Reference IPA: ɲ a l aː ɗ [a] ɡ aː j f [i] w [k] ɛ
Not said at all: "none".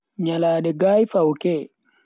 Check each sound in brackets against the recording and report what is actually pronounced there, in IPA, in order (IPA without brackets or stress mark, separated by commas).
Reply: ɛ, a, k